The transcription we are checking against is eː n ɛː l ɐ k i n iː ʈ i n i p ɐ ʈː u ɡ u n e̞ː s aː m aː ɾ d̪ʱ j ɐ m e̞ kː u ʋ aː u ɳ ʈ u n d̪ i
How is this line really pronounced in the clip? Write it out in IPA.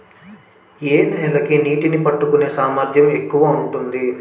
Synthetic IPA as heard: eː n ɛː l ɐ k i n iː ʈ i n i p ɐ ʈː u k u n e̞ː s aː m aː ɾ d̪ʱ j ɐ m e̞ kː u ʋ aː u ɳ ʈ u n d̪ i